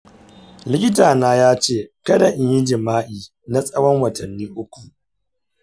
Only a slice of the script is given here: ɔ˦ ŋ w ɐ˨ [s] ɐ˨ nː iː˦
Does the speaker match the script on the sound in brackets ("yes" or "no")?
no